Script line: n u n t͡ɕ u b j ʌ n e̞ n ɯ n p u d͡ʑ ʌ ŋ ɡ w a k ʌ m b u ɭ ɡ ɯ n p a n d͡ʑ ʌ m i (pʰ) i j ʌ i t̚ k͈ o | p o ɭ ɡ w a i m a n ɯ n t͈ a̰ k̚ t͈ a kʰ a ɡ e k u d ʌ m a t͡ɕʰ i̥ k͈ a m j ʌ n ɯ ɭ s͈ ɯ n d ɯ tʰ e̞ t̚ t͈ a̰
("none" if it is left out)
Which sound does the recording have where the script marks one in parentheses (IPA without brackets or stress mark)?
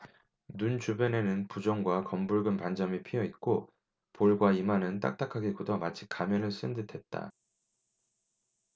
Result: pʰ